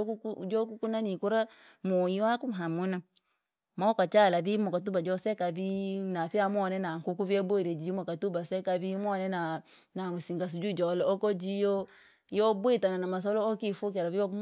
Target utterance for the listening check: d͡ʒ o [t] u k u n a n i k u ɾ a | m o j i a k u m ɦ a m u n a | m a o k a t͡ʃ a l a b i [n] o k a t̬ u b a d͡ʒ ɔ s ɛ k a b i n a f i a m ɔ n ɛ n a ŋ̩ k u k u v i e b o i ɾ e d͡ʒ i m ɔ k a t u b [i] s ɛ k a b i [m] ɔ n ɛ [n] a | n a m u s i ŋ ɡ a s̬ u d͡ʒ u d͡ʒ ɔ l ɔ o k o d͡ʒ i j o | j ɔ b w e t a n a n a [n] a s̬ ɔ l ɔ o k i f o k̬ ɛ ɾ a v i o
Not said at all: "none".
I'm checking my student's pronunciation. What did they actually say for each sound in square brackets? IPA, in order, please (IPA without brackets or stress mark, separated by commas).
k, m, a, m, n, m